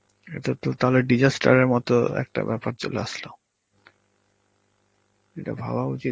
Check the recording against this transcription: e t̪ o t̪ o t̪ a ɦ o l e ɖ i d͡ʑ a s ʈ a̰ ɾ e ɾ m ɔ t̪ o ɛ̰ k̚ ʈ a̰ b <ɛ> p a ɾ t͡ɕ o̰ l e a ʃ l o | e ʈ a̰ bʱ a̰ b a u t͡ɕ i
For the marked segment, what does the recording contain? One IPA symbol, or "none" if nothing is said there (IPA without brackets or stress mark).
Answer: ɛ